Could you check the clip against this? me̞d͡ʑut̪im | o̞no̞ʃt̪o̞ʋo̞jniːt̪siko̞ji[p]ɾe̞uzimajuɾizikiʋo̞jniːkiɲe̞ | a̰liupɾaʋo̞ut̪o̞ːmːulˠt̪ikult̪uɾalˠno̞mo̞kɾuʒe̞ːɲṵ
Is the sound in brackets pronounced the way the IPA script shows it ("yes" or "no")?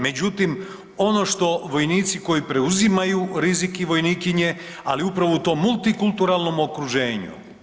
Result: yes